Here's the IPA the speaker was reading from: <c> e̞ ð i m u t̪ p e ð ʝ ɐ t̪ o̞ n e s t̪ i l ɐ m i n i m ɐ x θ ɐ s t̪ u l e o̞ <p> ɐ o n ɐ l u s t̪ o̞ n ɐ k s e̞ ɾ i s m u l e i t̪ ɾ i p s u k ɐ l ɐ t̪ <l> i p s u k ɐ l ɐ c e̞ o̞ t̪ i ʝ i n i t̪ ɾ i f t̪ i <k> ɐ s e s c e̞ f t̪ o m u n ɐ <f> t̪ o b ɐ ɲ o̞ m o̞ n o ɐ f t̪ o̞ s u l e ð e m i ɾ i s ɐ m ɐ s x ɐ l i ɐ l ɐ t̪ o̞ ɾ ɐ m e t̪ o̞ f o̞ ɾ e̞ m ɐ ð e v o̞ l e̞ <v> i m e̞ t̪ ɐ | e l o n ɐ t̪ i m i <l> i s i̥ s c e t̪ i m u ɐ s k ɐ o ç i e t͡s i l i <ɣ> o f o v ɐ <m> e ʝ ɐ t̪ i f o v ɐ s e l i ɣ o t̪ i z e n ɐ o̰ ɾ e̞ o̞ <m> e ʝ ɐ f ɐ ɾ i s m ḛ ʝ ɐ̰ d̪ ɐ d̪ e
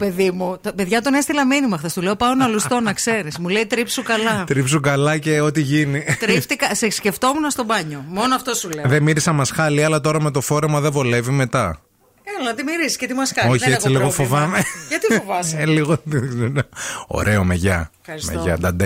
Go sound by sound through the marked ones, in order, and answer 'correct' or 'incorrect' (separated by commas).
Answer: incorrect, correct, incorrect, correct, incorrect, correct, incorrect, correct, correct, correct